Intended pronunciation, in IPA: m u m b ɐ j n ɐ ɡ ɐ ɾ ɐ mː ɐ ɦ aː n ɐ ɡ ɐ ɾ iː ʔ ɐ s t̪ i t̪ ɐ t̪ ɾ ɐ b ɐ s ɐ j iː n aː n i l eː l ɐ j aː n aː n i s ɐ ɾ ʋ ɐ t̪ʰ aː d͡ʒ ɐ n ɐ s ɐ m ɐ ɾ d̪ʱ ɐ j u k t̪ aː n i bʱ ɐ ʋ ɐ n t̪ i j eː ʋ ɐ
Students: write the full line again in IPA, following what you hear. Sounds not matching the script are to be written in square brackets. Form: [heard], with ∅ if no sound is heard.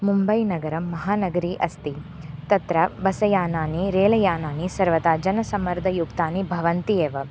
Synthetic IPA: m u m b ɐ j n ɐ ɡ ɐ ɾ ɐ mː ɐ ɦ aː n ɐ ɡ ɐ ɾ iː ʔ ɐ s t̪ i t̪ ɐ t̪ ɾ ɐ b ɐ s ɐ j [aː] n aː n i [ɾ] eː l ɐ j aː n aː n i s ɐ ɾ ʋ ɐ [t̪] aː d͡ʒ ɐ n ɐ s ɐ m ɐ ɾ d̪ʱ ɐ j u k t̪ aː n i bʱ ɐ ʋ ɐ n t̪ i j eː ʋ ɐ